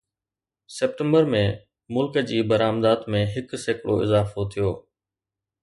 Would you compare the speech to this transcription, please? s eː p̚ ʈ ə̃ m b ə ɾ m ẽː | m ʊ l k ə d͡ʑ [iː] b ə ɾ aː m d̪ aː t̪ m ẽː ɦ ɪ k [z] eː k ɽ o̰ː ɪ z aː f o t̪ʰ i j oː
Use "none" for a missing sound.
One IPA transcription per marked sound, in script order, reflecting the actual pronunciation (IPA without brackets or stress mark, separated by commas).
iː, s